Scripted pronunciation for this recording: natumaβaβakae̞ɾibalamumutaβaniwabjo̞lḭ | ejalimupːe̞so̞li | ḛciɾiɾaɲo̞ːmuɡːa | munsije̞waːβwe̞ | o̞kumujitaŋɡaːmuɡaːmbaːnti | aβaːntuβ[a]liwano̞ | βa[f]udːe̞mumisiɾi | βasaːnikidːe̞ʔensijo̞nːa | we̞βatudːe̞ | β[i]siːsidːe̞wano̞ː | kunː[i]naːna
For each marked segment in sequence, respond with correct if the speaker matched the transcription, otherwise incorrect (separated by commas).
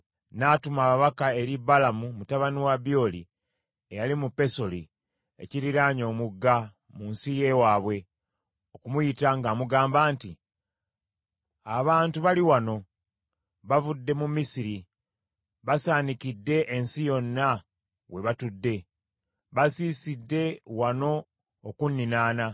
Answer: correct, incorrect, incorrect, correct